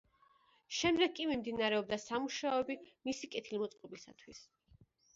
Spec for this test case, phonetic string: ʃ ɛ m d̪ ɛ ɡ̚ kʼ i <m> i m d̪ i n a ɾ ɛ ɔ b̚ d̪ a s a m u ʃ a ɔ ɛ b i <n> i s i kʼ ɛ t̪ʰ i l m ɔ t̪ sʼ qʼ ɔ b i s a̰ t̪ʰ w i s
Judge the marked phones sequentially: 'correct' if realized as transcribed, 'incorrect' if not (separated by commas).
correct, incorrect